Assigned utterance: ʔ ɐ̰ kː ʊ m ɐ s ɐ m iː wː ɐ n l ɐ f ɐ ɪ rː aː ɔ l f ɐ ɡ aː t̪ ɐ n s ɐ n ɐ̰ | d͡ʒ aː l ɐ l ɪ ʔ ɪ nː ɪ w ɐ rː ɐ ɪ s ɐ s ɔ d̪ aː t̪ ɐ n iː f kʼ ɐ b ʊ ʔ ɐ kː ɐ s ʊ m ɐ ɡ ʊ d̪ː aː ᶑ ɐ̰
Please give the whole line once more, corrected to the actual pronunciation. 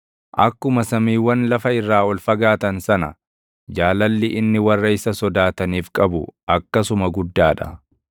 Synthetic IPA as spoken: ʔ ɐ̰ kː ʊ m ɐ s ɐ m iː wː ɐ n l ɐ f ɐ ɪ rː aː ɔ l f ɐ ɡ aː t̪ ɐ n s ɐ n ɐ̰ | d͡ʒ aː l ɐ lː ɪ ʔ ɪ nː ɪ w ɐ rː ɐ ɪ s ɐ s ɔ d̪ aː t̪ ɐ n iː f kʼ ɐ b ʊ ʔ ɐ kː ɐ s ʊ m ɐ ɡ ʊ d̪ː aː ᶑ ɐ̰